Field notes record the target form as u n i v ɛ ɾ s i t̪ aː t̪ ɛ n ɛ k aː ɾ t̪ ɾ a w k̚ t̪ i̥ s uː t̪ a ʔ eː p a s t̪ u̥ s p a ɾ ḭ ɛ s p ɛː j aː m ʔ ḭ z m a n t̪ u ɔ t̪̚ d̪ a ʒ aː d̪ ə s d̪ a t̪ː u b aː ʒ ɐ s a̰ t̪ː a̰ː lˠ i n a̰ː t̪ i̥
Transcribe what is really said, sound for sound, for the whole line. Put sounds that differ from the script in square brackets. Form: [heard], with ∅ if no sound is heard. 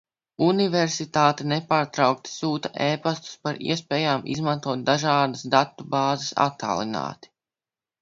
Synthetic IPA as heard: u n i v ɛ ɾ s i t̪ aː t̪ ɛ n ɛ [p] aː ɾ t̪ ɾ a w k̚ t̪ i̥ s uː t̪ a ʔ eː p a s t̪ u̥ s p a ɾ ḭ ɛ s p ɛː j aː m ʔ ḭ z m a n t̪ u ɔ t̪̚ d̪ a ʒ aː d̪ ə s d̪ a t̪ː u b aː [z] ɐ s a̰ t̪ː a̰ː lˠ i n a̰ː t̪ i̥